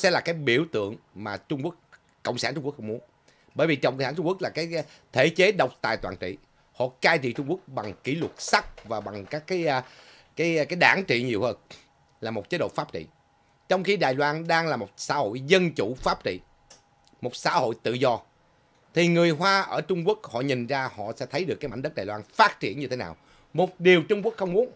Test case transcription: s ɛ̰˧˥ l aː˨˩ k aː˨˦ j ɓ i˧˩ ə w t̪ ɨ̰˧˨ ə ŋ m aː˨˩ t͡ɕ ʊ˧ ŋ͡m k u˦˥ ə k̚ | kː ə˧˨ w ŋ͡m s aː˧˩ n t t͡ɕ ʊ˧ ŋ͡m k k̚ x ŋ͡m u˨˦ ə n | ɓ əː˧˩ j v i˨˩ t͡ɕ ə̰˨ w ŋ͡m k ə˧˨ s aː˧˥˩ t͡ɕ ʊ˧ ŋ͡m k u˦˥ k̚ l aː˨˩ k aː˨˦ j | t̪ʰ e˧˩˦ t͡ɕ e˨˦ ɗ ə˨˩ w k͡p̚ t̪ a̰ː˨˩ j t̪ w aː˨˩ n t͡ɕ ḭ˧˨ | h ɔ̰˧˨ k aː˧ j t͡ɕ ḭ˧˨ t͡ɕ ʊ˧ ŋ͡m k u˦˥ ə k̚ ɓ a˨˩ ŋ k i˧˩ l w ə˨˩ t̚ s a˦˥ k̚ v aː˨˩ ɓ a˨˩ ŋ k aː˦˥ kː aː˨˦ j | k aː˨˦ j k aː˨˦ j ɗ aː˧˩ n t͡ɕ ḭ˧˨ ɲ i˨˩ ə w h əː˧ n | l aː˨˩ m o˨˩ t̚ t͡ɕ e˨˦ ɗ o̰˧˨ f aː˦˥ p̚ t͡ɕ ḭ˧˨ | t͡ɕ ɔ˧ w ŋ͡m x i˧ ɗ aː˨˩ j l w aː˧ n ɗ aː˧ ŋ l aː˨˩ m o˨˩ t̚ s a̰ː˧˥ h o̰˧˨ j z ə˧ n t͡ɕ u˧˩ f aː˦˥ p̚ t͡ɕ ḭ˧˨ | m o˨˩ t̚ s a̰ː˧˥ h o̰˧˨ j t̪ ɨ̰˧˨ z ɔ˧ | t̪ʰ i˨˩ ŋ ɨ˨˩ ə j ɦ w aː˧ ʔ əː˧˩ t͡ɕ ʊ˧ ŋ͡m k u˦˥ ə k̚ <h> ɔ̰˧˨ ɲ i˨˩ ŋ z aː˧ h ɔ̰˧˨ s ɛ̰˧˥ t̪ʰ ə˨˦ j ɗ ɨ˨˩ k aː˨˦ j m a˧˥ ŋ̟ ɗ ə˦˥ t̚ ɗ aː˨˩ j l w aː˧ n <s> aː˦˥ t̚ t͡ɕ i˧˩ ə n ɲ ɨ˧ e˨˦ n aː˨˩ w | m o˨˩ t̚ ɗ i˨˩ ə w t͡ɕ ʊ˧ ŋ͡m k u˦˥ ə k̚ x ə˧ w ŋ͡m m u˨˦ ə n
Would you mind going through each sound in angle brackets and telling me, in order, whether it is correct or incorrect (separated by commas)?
correct, incorrect